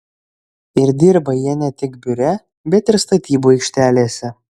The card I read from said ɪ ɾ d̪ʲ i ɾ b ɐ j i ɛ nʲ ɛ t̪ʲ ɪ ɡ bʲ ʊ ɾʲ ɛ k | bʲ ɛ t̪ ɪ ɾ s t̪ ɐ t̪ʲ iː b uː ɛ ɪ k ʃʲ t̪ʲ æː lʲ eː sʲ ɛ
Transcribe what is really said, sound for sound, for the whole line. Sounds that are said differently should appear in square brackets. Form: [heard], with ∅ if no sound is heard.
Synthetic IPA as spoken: ɪ ɾ d̪ʲ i ɾ b ɐ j i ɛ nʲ ɛ t̪ʲ ɪ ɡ bʲ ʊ ɾʲ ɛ [∅] | bʲ ɛ t̪ ɪ ɾ s t̪ ɐ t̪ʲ iː b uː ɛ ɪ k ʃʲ t̪ʲ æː lʲ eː sʲ ɛ